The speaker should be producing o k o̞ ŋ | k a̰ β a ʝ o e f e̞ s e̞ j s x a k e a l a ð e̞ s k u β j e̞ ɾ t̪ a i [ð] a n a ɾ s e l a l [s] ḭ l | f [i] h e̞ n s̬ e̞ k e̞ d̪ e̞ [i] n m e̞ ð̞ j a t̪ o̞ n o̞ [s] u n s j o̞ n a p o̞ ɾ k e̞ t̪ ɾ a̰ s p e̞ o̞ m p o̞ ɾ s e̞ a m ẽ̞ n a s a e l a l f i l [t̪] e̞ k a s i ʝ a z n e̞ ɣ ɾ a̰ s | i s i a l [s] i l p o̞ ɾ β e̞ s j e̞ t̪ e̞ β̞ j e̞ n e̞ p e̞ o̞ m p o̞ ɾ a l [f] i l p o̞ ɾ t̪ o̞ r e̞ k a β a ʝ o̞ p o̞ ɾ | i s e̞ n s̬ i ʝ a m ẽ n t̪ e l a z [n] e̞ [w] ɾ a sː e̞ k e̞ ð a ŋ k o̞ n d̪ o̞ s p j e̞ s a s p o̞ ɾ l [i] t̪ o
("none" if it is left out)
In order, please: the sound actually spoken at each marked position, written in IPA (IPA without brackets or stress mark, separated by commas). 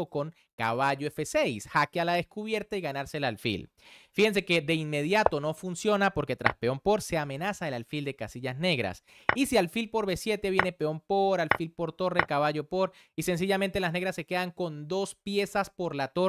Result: ɣ, f, i, i, f, d̪, f, f, n, ɣ, a